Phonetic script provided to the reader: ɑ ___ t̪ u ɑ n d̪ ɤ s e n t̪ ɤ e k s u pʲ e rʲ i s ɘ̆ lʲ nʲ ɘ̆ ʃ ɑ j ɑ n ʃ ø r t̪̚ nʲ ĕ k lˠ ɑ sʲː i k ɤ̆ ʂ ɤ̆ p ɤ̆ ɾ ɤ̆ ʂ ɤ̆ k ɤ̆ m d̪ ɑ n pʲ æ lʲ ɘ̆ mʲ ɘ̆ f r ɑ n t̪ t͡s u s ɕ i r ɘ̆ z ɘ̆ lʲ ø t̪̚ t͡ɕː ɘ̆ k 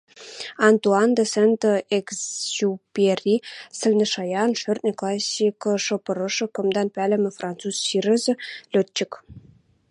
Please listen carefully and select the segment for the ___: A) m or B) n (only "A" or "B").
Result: B